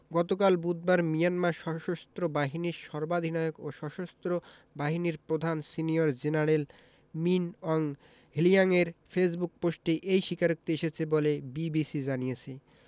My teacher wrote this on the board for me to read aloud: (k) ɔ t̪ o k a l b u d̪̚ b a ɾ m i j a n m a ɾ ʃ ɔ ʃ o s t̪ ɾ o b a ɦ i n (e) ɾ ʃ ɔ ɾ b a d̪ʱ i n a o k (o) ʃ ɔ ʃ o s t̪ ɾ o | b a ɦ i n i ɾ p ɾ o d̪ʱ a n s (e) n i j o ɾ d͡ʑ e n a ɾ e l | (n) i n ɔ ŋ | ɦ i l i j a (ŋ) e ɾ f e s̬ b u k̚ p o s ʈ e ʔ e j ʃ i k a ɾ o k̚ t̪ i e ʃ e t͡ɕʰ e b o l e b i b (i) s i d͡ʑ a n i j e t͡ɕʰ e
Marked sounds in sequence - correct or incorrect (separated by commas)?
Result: incorrect, incorrect, correct, incorrect, incorrect, correct, correct